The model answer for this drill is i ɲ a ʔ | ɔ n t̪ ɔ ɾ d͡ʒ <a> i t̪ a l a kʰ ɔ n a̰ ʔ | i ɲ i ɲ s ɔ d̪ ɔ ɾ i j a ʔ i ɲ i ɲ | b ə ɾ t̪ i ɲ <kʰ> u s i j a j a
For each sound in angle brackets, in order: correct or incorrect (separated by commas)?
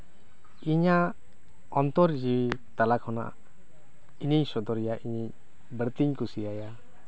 incorrect, incorrect